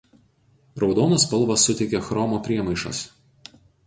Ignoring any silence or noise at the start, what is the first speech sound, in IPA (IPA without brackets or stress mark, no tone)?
ɾ